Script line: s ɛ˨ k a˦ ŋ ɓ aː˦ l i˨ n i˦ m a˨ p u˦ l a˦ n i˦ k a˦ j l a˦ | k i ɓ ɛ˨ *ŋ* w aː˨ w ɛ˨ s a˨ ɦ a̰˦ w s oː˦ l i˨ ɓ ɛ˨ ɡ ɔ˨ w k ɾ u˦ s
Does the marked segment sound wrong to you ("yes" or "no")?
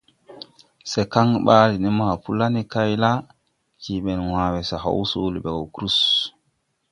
yes